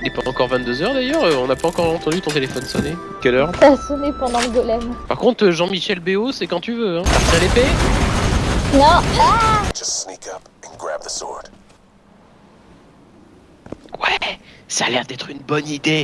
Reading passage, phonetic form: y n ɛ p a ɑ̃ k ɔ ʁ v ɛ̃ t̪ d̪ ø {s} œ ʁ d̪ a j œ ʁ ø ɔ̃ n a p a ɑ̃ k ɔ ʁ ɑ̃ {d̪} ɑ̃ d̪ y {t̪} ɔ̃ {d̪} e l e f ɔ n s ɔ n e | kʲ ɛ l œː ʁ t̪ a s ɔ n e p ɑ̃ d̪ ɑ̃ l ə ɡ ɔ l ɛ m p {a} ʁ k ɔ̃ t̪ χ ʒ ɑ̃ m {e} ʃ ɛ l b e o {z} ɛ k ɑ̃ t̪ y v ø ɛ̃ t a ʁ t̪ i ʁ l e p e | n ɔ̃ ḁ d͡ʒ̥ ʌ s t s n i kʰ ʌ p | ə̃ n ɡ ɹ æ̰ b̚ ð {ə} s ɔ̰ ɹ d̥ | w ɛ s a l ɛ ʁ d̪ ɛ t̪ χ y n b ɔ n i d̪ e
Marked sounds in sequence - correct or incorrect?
incorrect: z, incorrect: t̪, correct, incorrect: t̪, correct, incorrect: i, incorrect: s, correct

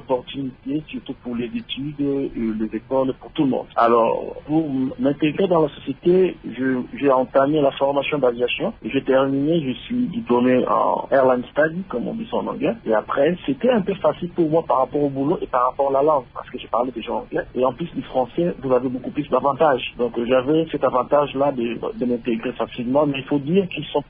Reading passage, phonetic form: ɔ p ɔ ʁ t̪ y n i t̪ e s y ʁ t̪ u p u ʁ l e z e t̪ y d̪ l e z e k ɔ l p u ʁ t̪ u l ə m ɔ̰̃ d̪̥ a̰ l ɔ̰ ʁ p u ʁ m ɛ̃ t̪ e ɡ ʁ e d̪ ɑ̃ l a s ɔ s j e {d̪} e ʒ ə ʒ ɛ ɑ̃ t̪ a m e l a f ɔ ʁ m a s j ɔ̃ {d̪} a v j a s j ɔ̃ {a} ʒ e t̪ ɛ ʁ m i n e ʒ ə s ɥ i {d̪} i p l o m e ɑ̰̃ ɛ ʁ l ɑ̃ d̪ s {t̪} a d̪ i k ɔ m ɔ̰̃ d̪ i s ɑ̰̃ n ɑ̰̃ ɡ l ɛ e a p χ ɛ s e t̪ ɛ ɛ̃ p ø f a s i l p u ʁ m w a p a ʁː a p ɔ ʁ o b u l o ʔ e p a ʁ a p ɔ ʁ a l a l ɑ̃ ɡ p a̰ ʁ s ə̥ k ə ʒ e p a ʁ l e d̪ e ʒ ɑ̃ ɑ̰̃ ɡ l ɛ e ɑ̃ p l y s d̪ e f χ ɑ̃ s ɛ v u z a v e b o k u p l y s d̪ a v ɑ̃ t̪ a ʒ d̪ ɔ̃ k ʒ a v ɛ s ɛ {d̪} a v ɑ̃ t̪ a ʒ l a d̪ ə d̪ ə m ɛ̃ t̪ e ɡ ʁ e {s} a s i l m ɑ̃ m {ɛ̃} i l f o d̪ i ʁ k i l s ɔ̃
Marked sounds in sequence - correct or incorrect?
incorrect: t̪, correct, incorrect: e, correct, correct, incorrect: t̪, incorrect: f, incorrect: ɛ

